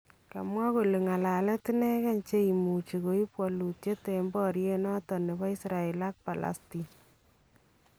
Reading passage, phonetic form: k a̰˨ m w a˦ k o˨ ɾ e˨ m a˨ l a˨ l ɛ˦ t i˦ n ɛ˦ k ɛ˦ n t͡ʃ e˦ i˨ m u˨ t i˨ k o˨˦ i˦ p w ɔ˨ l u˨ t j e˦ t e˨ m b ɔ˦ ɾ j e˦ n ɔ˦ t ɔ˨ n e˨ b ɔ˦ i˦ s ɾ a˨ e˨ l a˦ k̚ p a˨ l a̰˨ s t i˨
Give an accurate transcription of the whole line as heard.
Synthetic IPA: k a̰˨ m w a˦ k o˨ l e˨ ŋ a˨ l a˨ l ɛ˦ t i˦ n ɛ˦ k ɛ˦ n t͡ʃ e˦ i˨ m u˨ t͡ʃ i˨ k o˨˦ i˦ p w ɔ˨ l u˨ t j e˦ t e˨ m b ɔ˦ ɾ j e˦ n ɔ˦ t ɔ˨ n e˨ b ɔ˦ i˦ s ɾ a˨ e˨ l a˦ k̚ p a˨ l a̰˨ s t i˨